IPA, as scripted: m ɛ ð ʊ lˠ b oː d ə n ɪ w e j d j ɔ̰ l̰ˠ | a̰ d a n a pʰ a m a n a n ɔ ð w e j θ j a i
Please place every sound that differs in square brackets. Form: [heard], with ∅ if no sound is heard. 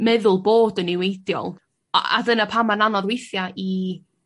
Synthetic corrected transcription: m ɛ ð ʊ lˠ b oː d ə n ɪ w e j d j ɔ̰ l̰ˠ | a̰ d [ə] n a pʰ a m a n a n ɔ ð w e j θ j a i